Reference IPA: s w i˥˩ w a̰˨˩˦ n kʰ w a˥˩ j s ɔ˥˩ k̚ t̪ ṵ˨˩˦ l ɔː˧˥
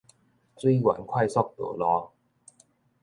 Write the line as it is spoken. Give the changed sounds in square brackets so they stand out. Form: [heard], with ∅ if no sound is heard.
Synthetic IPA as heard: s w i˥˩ w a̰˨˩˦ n kʰ w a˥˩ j s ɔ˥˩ k̚ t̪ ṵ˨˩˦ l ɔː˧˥